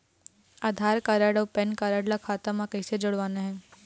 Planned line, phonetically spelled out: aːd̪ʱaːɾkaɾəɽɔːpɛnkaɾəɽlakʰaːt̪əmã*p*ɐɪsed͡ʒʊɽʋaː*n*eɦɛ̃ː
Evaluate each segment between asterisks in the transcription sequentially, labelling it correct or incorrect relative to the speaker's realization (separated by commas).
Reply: incorrect, correct